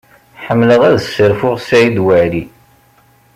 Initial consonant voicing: voiceless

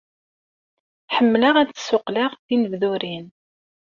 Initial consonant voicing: voiceless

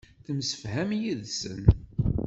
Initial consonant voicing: voiceless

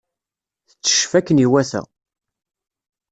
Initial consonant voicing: voiceless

